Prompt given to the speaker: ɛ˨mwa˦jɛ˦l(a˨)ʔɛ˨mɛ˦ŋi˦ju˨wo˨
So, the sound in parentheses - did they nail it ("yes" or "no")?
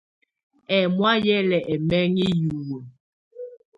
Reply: no